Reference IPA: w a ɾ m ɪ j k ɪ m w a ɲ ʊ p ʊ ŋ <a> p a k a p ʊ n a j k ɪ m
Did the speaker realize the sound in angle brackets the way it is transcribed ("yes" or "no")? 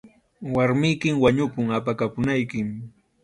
yes